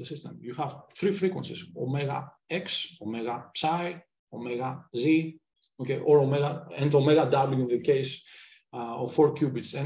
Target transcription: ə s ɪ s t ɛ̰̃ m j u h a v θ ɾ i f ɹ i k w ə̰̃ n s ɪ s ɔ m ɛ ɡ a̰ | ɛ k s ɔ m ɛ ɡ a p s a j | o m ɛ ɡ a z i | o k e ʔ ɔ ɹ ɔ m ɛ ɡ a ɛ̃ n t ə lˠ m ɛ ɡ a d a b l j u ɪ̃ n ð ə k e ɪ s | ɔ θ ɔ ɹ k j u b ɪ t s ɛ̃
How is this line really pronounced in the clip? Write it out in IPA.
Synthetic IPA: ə s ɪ s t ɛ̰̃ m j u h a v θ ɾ i f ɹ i k w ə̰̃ n s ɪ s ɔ m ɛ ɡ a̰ | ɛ k s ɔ m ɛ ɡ a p s a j | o m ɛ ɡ a z i | o k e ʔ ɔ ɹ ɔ m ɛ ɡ a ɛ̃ n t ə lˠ m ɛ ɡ a d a b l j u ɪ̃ n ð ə k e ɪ s | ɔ f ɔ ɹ k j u b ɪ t s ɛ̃